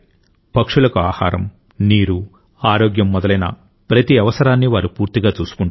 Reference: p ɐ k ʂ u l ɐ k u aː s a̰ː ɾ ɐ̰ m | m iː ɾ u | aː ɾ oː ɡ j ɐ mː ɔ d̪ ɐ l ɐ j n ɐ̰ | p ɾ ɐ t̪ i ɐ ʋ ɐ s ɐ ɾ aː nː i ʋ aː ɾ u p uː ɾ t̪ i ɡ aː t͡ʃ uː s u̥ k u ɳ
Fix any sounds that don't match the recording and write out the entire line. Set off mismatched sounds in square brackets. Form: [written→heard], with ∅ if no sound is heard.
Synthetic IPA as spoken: p ɐ k ʂ u l ɐ k u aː [s→h] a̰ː ɾ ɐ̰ m | [m→n] iː ɾ u | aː ɾ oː ɡ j ɐ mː ɔ d̪ ɐ l ɐ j n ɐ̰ | p ɾ ɐ t̪ i ɐ ʋ ɐ s ɐ ɾ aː nː i ʋ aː ɾ u p uː ɾ t̪ i ɡ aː t͡ʃ uː s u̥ k u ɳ